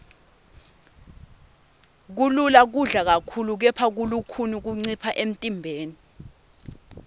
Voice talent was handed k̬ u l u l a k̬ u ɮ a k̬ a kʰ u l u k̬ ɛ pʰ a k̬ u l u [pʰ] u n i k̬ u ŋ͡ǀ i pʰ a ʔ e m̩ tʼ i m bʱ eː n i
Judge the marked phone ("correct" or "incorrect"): incorrect